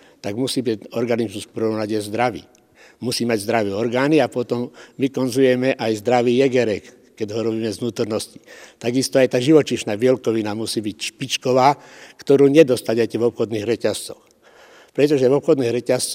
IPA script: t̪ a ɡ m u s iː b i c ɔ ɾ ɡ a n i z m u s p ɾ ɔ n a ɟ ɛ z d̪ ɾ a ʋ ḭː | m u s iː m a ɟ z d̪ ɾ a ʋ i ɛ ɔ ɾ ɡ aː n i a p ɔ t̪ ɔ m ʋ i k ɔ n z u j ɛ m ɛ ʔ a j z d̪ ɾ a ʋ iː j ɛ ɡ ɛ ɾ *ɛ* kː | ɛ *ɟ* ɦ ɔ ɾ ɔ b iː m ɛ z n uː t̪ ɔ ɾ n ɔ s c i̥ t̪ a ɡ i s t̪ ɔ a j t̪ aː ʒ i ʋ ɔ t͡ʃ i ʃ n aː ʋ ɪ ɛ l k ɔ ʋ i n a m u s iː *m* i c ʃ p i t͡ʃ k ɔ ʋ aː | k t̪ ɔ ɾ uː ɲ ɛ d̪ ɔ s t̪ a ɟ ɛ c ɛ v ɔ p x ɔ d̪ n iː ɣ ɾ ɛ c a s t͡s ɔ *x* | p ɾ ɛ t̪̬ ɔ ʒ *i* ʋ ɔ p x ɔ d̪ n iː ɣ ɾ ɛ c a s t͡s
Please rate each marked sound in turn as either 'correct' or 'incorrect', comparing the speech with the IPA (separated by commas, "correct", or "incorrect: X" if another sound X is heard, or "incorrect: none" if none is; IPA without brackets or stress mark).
correct, correct, incorrect: b, correct, incorrect: ɛ